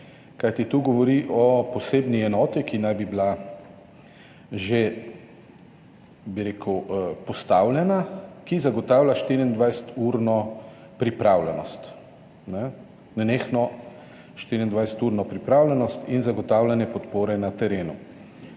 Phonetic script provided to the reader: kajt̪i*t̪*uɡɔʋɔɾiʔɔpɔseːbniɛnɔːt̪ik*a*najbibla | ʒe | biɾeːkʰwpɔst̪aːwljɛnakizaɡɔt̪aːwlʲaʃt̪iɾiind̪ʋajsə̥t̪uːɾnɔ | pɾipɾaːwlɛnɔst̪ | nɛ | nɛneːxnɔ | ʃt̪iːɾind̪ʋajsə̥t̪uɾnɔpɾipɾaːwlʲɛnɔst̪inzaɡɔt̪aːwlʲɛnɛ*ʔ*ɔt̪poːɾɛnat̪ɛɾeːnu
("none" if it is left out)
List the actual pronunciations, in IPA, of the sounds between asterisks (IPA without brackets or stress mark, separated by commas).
t̪, i, p